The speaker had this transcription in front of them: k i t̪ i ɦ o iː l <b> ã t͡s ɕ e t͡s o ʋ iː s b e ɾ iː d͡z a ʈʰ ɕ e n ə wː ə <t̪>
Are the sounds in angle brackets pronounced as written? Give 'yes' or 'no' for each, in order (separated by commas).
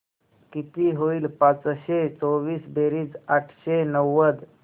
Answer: no, no